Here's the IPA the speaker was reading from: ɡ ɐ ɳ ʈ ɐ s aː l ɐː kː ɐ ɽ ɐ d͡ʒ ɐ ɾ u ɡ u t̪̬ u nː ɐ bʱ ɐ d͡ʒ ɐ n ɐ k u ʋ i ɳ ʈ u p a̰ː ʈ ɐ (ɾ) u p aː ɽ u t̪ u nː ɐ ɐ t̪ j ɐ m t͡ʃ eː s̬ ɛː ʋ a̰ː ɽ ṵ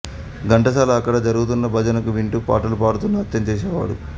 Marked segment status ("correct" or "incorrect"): incorrect